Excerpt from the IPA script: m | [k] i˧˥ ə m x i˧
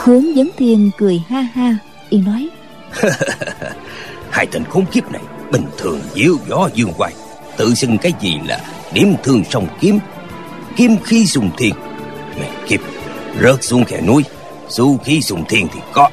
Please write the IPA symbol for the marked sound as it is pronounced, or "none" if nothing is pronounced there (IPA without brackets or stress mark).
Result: k